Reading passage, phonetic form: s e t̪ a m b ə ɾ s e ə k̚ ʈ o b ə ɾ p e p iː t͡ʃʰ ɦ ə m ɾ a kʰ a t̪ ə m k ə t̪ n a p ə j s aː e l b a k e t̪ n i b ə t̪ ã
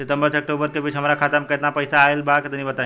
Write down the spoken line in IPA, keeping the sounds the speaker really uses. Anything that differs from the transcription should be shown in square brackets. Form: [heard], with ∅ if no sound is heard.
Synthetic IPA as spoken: s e t̪ [ə] m b ə ɾ s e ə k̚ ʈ o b ə ɾ [k] e [b] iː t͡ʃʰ ɦ ə m ɾ a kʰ a t̪ ə m k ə t̪ n a p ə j s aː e l b a k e t̪ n i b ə t̪ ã